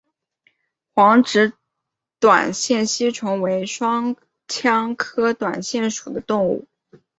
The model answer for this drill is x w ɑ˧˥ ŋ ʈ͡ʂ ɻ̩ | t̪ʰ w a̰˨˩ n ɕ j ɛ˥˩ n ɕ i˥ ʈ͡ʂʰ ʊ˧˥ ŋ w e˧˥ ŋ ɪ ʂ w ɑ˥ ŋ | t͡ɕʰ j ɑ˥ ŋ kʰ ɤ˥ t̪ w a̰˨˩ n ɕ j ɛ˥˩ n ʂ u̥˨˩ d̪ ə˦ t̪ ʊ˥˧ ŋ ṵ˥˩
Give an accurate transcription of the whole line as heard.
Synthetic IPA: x w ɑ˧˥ ŋ ʈ͡ʂ ɻ̩ | t̪ w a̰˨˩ n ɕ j ɛ˥˩ n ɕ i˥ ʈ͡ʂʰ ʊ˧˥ ŋ w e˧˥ ɪ ʂ w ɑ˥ ŋ | t͡ɕʰ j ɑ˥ ŋ kʰ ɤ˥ t̪ w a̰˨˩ n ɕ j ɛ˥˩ n ʂ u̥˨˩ d̪ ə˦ t̪ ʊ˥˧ ŋ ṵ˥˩